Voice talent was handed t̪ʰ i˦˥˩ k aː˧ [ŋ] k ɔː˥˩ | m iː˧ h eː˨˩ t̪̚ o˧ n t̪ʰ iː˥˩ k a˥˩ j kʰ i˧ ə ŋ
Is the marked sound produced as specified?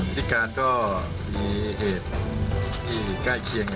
no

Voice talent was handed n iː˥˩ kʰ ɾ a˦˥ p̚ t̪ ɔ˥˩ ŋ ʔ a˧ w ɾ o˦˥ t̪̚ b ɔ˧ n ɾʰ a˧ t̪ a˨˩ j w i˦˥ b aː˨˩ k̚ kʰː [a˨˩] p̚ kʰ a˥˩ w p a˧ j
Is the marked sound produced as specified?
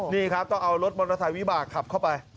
yes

